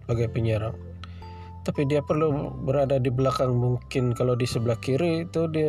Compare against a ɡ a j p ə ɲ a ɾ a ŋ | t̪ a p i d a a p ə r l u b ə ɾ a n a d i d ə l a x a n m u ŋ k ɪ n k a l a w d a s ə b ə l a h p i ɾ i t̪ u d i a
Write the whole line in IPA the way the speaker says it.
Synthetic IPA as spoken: a ɡ a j p ə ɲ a ɾ a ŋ | t̪ a p i d i a p ə r l u b ə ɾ a d a d i b ə l a k a n m u ŋ k ɪ n k a l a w d i s ə b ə l a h k i ɾ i t̪ u d i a